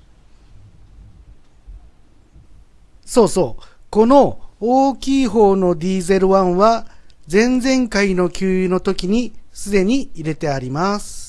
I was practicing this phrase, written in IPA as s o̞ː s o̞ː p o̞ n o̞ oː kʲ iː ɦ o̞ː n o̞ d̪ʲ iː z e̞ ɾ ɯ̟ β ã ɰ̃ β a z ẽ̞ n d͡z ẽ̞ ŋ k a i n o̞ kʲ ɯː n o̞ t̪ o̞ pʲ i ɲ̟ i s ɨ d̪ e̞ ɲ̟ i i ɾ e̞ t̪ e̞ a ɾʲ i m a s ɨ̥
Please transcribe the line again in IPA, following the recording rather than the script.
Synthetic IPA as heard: s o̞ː s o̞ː k o̞ n o̞ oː kʲ iː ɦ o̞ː n o̞ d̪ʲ iː z e̞ ɾ ɯ̟ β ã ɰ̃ β a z ẽ̞ n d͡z ẽ̞ ŋ k a i n o̞ kʲ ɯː n o̞ t̪ o̞ kʲ i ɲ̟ i s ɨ d̪ e̞ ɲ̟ i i ɾ e̞ t̪ e̞ a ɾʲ i m a s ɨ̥